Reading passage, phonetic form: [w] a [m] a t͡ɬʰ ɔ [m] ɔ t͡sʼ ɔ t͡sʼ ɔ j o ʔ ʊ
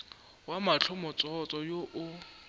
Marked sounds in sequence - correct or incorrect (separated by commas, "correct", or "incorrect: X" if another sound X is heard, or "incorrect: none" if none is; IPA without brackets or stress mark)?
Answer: correct, correct, correct